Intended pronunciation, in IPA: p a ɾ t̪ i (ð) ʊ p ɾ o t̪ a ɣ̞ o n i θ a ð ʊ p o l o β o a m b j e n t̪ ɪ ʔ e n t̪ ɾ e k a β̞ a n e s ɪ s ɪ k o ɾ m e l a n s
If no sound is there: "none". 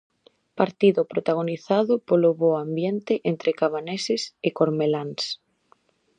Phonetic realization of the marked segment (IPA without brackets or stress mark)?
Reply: ð